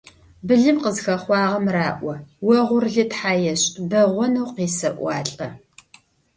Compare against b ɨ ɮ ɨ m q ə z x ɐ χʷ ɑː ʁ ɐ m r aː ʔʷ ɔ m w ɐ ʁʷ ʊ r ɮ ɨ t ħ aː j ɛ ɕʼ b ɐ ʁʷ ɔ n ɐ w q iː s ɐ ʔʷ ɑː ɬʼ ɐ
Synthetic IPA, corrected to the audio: b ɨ ɮ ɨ m q ə z x ɐ χʷ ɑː ʁ ɐ m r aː ʔʷ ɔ w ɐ ʁʷ ʊ r ɮ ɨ t ħ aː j ɛ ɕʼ b ɐ ʁʷ ɔ n ɐ w q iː s ɐ ʔʷ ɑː ɬʼ ɐ